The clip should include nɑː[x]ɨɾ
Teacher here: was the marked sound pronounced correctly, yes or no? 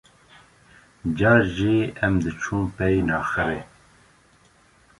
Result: yes